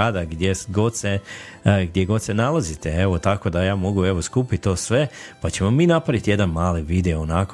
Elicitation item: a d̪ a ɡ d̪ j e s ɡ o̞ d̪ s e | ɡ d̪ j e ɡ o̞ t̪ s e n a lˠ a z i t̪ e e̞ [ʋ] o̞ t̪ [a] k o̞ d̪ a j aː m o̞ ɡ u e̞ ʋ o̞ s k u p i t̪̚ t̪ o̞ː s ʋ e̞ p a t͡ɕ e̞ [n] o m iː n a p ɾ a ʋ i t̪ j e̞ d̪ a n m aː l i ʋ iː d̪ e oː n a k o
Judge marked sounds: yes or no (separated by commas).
yes, yes, no